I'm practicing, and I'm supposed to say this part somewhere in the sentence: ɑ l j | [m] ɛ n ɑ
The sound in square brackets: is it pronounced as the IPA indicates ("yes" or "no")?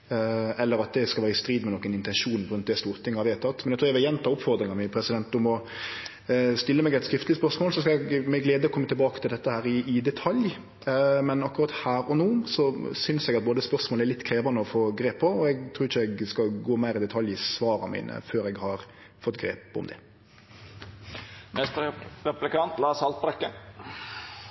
yes